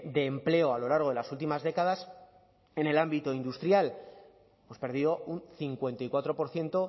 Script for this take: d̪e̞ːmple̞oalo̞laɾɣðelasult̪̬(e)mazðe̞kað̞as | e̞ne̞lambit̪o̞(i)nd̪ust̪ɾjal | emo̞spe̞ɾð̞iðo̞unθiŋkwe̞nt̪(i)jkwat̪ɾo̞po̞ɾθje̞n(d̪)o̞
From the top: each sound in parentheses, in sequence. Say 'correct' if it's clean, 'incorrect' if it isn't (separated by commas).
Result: incorrect, correct, incorrect, incorrect